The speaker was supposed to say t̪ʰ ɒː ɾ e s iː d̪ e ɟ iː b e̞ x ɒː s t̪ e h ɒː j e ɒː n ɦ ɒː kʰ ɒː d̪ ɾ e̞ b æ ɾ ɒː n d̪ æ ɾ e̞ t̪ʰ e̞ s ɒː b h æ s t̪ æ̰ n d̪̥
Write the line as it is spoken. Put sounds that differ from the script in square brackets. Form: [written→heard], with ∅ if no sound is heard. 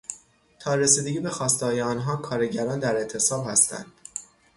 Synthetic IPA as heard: t̪ʰ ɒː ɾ e s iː d̪ e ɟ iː b e̞ x ɒː s t̪ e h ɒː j e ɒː n ɦ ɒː kʰ ɒː [d̪→∅] ɾ e̞ [b→ɟ] æ ɾ ɒː n d̪ æ ɾ e̞ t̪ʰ e̞ s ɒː b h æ s t̪ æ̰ n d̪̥